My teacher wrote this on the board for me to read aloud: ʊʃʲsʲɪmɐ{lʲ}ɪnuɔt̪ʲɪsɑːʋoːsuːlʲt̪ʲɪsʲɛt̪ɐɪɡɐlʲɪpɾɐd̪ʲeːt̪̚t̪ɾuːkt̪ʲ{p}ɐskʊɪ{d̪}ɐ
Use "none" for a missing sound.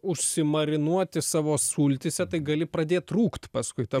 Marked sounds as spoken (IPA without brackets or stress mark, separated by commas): ɾʲ, p, t̪